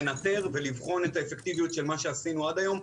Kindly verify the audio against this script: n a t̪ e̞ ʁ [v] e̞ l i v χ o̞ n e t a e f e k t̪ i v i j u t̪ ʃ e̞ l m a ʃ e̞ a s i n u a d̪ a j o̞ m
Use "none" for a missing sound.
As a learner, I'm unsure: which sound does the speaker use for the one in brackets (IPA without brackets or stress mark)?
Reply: v